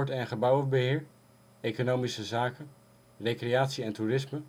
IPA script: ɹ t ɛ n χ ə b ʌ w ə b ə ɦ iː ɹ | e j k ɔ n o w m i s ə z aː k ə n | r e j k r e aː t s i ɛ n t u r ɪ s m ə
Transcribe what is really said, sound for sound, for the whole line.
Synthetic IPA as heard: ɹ t ɛ n χ ə b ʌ w ə b ə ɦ ɪː ɹ | e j k o n o w m i s ə z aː k ə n | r e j k r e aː t s i ɛ n t u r ɪ s m ə